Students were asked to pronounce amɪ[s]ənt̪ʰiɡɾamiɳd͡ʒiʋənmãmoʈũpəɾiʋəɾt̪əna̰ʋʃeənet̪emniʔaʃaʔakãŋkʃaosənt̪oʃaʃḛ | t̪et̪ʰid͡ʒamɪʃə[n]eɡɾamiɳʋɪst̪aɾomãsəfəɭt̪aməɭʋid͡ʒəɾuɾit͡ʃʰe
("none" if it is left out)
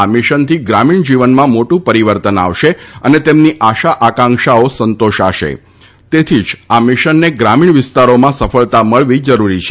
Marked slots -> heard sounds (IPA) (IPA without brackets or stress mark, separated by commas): ʃ, nː